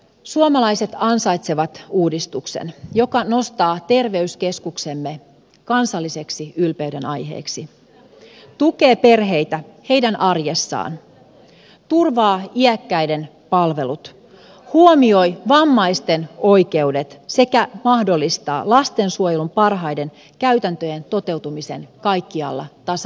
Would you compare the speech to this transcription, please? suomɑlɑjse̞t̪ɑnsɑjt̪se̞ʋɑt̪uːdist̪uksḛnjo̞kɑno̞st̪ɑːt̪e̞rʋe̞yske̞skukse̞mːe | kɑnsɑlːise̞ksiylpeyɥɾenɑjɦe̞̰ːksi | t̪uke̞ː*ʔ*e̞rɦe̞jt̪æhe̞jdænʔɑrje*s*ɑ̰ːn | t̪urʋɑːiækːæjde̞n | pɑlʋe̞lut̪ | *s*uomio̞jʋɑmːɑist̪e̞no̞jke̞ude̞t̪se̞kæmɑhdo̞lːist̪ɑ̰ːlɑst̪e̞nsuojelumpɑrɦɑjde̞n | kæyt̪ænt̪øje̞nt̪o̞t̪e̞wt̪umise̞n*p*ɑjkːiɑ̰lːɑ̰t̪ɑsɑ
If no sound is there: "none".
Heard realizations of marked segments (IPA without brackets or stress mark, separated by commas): p, sː, h, k